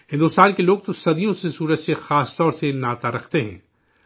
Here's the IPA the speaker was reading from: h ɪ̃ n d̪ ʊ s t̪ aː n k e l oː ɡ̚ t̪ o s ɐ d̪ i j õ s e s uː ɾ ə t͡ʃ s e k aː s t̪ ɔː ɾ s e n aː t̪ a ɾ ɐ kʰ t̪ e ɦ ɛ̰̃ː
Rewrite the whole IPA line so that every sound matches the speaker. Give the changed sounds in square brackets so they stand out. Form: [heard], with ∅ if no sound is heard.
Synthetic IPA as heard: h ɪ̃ n d̪ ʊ s t̪ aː n k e l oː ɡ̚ t̪ o s ɐ d̪ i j õ s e s uː ɾ ə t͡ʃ s e [x] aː s t̪ ɔː ɾ s e n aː t̪ a ɾ ɐ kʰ t̪ e ɦ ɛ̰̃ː

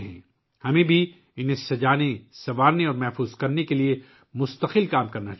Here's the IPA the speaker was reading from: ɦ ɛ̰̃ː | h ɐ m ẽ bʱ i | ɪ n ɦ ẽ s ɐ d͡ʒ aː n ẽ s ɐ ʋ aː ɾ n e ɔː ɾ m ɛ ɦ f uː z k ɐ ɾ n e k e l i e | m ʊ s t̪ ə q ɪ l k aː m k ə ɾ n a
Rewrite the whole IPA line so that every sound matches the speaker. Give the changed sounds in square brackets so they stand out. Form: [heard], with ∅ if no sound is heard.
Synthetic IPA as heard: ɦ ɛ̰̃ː | h ɐ m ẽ bʱ i | ɪ n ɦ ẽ s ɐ d͡ʒ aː n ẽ s ɐ ʋ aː ɾ n e ɔː ɾ m ɛ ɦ f uː z k ɐ ɾ n e k e l i e | m ʊ s t̪ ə q ɪ l k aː m k [ɐ] ɾ n a

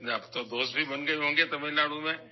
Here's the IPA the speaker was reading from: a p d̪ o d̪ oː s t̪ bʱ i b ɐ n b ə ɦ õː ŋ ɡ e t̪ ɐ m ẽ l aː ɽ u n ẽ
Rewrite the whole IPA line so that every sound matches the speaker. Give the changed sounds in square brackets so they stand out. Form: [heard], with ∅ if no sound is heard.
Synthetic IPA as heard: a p [t̪] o d̪ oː s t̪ bʱ i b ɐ n [ɡ] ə ɦ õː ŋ ɡ e t̪ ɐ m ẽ l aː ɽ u [m] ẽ

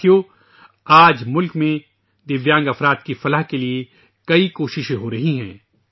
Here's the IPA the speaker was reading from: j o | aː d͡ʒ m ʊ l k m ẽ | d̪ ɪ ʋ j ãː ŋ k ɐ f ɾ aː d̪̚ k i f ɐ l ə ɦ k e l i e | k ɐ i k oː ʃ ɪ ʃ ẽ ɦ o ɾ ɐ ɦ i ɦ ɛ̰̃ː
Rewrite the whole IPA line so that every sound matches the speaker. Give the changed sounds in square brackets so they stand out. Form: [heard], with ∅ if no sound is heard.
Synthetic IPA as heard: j o | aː d͡ʒ m ʊ l k m ẽ | d̪ ɪ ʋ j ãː ŋ [ɡ] ɐ f ɾ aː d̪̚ k i f ɐ l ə ɦ k e l i e | k ɐ i k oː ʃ ɪ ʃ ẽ ɦ o ɾ ɐ ɦ i ɦ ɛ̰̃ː

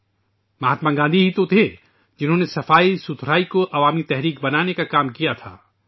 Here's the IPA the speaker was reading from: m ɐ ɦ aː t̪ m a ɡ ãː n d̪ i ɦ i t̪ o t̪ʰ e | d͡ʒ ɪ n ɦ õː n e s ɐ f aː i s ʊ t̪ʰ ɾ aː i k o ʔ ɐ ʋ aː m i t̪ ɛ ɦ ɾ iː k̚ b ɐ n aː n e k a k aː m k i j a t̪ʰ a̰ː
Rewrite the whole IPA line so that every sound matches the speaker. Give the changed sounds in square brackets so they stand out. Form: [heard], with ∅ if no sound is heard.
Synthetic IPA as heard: m ɐ ɦ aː t̪ m a ɡ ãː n d̪ i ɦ i t̪ o t̪ʰ e | d͡ʒ ɪ n ɦ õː n e s ɐ f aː i s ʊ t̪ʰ ɾ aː i k o ʔ ɐ ʋ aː m i t̪ ɛ ɦ ɾ iː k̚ b ɐ n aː n e k a k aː m k i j a t̪ʰ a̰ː

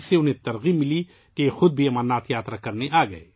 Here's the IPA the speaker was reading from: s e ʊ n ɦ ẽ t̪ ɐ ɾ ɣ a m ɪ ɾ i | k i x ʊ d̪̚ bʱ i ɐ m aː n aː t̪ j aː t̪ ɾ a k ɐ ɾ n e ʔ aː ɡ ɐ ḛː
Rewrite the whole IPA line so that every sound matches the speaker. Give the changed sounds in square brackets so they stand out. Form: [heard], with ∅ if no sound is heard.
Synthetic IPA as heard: s e ʊ n ɦ ẽ t̪ ɐ ɾ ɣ [i] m ɪ [l] i | k [e] x ʊ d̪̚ bʱ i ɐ m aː n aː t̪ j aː t̪ ɾ a k ɐ ɾ n e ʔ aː ɡ ɐ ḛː

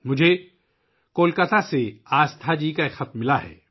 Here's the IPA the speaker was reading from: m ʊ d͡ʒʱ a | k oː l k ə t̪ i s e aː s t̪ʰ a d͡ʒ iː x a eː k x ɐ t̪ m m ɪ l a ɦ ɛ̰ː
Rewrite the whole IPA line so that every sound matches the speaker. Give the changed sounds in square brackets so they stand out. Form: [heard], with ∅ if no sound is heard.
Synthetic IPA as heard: m ʊ d͡ʒʱ [e] | k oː l k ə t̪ [a] s e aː s t̪ʰ a d͡ʒ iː [k] a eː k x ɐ t̪ m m ɪ l a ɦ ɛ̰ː

